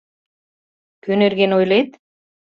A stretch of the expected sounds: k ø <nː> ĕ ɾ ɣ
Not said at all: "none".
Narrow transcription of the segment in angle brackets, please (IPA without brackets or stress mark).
n